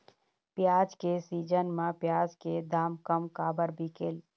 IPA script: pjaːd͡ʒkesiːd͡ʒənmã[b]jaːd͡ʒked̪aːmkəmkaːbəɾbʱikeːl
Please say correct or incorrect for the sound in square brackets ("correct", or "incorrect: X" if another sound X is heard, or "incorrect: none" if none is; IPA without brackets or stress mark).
incorrect: p